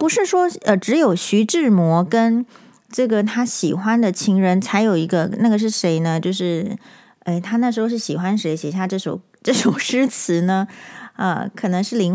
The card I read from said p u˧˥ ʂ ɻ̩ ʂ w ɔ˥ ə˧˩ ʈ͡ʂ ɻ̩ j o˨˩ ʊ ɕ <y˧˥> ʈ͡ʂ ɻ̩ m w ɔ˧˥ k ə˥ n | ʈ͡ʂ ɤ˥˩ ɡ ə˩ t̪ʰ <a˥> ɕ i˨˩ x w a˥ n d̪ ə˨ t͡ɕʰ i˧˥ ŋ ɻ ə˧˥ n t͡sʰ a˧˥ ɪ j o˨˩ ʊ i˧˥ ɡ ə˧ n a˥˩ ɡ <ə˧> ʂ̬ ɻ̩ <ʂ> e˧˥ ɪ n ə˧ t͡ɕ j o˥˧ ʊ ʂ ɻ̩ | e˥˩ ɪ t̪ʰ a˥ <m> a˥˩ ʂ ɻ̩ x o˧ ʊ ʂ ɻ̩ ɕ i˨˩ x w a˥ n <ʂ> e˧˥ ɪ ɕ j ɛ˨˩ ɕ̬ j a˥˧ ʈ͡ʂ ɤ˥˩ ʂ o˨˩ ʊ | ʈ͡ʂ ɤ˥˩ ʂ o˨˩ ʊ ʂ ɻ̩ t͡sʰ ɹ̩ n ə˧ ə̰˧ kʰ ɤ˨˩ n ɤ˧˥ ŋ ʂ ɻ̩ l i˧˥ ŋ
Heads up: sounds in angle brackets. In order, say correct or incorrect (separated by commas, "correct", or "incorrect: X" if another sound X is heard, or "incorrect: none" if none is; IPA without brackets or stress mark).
correct, correct, incorrect: ə˩, correct, incorrect: n, correct